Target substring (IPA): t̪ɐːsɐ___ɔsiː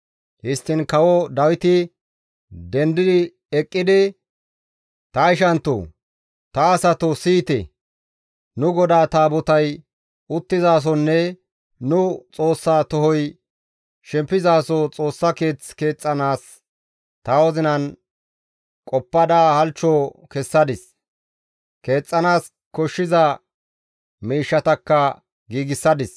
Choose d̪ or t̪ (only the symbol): t̪